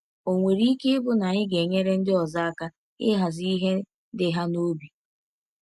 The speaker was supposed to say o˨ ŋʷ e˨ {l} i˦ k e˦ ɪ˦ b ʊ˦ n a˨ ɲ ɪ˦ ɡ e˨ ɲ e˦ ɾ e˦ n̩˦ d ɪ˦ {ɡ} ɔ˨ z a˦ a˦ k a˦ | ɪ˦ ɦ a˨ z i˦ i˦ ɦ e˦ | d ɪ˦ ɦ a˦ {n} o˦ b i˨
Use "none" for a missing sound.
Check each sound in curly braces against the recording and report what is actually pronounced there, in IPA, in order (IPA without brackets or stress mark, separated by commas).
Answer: ɾ, none, n